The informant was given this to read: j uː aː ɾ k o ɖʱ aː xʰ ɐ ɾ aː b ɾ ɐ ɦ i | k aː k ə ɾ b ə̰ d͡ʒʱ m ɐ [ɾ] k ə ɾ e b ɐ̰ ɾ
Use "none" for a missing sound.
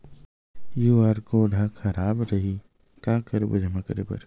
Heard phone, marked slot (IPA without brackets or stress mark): none